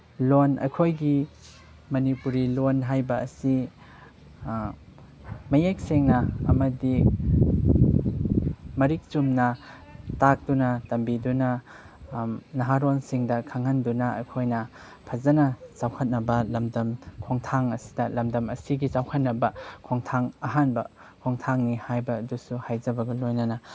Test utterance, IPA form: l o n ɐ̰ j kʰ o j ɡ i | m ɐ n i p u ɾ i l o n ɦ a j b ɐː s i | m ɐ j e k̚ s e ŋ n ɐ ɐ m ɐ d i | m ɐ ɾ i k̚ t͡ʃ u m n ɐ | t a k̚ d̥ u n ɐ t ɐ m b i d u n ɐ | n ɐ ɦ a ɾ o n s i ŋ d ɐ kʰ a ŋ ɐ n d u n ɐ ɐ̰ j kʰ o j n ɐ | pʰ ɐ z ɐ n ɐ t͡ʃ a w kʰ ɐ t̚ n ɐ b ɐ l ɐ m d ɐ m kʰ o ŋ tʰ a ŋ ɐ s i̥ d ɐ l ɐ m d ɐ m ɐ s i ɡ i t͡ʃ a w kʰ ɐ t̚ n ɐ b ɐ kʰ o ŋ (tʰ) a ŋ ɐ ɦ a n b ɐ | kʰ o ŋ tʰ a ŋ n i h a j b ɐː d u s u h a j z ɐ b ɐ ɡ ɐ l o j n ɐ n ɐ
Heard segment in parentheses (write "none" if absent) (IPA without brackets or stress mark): tʰ